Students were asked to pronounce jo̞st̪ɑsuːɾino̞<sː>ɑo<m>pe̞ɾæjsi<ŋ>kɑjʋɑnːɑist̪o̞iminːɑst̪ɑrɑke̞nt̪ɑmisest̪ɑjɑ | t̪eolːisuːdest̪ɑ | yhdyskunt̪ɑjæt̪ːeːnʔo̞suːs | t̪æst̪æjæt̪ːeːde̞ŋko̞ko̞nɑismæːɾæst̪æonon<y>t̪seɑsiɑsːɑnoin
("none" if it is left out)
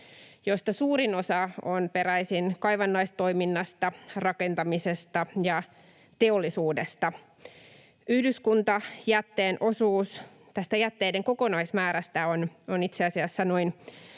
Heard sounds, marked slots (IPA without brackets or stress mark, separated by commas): s, n, n, i